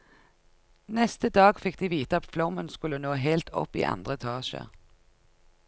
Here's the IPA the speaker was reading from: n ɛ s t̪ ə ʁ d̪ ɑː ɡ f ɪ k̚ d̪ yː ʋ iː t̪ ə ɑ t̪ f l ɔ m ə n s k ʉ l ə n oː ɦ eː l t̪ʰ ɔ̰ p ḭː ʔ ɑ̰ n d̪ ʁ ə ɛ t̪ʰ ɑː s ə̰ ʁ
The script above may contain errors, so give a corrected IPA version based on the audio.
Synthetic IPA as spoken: n ɛ s t̪ ə d̪ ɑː ɡ f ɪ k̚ d̪ iː ʋ iː t̪ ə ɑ t̪ f l ɔ m ə n s k ʉ l ə n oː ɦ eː l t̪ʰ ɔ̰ p ḭː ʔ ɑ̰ n d̪ ʁ ə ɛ t̪ʰ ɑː ʃ ə̰ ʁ